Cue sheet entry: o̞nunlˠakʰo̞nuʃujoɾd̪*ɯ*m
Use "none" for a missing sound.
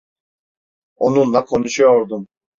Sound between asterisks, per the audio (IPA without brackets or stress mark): u